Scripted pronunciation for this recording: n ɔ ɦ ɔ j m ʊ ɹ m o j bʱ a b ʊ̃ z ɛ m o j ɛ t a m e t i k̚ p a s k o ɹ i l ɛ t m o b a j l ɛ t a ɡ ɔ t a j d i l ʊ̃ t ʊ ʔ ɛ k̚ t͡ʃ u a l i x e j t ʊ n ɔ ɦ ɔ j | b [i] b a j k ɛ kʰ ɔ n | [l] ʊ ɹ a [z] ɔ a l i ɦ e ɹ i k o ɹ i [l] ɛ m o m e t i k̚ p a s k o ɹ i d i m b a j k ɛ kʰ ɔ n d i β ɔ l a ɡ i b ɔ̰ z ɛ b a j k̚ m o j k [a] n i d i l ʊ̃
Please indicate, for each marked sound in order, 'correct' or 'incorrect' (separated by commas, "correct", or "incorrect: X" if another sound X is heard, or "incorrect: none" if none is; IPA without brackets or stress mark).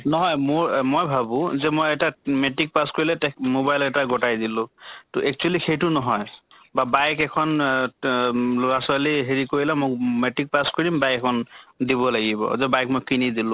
incorrect: a, correct, incorrect: s, correct, incorrect: i